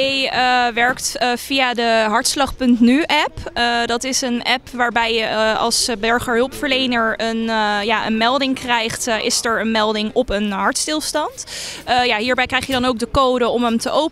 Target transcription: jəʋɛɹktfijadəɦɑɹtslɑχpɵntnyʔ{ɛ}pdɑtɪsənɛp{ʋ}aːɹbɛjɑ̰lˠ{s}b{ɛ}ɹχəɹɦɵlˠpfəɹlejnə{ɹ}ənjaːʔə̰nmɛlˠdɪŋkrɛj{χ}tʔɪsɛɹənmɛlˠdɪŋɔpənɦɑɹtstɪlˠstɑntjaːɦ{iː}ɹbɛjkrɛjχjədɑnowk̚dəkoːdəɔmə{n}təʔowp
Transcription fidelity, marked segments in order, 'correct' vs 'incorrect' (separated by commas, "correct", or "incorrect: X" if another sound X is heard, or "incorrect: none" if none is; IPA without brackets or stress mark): correct, correct, correct, correct, correct, correct, correct, incorrect: m